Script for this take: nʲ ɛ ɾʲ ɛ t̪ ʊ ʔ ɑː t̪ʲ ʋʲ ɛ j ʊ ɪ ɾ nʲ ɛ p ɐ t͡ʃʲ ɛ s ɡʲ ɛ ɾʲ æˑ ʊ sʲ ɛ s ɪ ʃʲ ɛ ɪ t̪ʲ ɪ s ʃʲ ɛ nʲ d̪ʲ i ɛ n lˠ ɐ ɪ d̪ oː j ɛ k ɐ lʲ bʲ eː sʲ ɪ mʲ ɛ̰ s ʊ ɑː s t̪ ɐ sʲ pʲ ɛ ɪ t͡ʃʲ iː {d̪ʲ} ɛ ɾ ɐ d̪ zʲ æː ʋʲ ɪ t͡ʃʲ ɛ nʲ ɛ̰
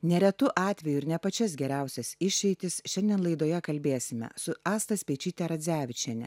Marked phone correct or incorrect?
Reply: incorrect